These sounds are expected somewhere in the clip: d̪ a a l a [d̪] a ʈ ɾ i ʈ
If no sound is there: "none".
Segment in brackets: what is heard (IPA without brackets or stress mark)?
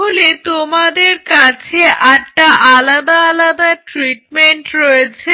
d̪